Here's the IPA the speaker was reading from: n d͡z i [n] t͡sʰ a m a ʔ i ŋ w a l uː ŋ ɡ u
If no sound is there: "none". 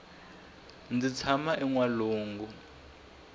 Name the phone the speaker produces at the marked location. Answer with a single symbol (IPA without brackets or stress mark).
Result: none